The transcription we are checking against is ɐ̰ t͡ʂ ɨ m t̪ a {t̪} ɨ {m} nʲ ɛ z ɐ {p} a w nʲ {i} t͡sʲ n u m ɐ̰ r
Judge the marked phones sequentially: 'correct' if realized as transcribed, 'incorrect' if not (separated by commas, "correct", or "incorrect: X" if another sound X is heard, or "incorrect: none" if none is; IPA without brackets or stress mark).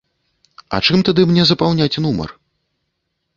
incorrect: d̪, correct, correct, incorrect: a